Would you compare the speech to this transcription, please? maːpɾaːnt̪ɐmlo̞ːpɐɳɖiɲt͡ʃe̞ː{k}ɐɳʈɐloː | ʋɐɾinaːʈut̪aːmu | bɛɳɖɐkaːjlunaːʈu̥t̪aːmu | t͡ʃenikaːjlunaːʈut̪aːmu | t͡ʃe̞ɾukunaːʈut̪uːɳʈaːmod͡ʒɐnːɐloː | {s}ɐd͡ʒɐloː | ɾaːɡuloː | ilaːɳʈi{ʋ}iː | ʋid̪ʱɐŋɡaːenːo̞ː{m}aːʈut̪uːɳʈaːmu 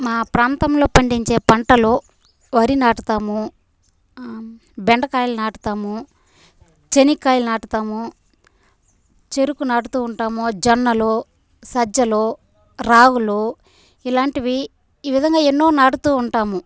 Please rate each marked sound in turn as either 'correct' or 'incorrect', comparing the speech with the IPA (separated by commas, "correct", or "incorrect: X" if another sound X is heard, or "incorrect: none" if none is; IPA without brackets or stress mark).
incorrect: p, correct, correct, incorrect: n